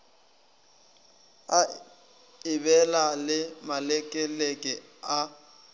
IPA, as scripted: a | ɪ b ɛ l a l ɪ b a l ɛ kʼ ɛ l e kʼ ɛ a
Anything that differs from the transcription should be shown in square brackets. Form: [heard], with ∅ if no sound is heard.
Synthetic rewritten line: a | ɪ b ɛ l a l ɪ [m] a l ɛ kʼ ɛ l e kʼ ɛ a